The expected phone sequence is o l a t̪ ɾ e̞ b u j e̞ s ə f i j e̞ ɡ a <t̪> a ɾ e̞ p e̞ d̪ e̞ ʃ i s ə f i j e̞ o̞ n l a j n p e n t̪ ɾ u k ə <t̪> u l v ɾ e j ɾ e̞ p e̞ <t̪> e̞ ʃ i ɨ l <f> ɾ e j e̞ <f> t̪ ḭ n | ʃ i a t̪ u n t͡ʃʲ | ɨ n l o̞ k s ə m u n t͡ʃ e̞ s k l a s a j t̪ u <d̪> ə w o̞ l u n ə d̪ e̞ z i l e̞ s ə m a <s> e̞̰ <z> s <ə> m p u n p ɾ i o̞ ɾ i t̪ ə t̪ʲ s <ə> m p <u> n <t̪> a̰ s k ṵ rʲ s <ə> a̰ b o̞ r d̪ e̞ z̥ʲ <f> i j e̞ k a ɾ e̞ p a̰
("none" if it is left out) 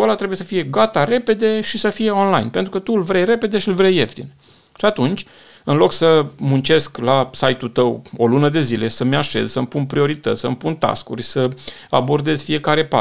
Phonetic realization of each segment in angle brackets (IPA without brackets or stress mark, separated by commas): t̪, t̪, d̪, v, f, t̪, ʃ, z, ə, ə, u, t̪, ə, f